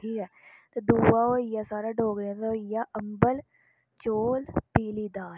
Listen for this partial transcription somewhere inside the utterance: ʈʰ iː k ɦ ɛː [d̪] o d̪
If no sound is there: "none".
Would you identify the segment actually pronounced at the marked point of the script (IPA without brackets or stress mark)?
t̪